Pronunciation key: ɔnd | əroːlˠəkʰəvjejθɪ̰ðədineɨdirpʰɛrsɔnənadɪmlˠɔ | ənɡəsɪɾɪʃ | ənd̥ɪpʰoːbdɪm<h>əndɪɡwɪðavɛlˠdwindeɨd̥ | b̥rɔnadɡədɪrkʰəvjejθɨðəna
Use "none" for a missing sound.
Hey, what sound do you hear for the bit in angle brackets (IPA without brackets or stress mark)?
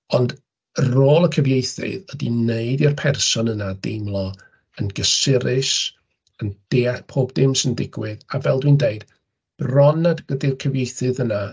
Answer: s